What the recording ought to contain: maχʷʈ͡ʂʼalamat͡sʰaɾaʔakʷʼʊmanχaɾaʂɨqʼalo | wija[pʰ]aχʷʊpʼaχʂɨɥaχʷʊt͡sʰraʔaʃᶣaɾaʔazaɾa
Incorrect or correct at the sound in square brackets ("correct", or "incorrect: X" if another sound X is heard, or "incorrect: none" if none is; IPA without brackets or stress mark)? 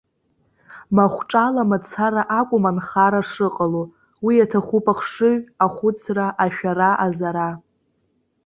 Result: incorrect: tʰ